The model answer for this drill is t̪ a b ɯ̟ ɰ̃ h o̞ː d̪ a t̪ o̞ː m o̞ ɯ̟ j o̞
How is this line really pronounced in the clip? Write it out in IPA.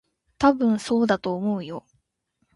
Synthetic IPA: t̪ a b ɯ̟̃ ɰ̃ s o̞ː d̪ a t̪ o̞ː m o̞ ɯ̟ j o̞

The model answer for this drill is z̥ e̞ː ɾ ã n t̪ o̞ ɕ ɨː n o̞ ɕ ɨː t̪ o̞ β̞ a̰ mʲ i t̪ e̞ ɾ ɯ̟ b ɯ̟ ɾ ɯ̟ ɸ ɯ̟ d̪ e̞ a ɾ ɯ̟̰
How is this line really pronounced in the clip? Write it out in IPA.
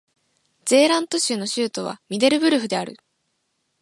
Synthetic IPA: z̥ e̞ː ɾ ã n t̪ o̞ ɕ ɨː n o̞ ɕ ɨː t̪ o̞ β̞ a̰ mʲ i d̪ e̞ ɾ ɯ̟ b ɯ̟ ɾ ɯ̟ ɸ ɯ̟ d̪ e̞ a ɾ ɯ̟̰

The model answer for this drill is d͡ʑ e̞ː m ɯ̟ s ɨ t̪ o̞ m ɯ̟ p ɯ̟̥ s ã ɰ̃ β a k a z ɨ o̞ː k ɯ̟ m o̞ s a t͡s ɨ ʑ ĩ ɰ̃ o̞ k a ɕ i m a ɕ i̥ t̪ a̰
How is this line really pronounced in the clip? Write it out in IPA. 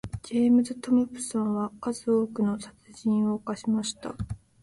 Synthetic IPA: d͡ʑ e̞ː m ɯ̟ z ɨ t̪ o̞ m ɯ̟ p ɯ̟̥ s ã ɰ̃ β a k a z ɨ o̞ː k ɯ̟ n o̞ s a t͡s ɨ ʑ ĩ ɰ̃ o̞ k a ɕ i m a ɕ i̥ t̪ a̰

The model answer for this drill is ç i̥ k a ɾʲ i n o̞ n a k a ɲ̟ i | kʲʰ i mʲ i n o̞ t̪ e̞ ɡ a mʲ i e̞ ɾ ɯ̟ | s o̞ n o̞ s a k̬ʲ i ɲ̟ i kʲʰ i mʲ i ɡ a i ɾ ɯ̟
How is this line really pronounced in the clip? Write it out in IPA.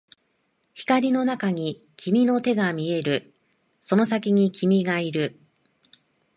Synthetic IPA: ç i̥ k a ɾʲ i n o̞ n a k a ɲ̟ i | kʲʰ i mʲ i n o̞ t̪ e̞ ɡ a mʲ i e̞ ɾ ɯ̟ | s o̞ n o̞ s a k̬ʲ i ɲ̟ i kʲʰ i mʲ i ɡ a i ɾ ɯ̟

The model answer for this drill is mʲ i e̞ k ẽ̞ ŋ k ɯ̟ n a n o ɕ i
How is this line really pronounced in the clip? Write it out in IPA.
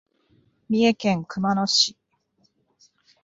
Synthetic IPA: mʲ i e̞ k ẽ̞ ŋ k ɯ̟ m a n o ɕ i

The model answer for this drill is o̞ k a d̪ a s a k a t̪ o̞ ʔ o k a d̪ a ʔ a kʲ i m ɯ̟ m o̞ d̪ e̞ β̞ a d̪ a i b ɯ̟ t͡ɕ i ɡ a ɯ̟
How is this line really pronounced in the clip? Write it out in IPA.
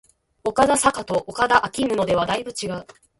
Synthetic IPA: o̞ k a d̪ a s a k a t̪ o̞ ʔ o k a d̪ a ʔ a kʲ i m ɯ̟ n o̞ d̪ e̞ β̞ a d̪ a i b ɯ̟ t͡ɕ i ɡ a ɯ̟

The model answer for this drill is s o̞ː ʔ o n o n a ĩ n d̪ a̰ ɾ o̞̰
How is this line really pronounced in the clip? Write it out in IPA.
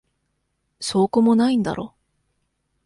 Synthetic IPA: s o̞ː k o m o n a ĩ n d̪ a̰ ɾ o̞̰

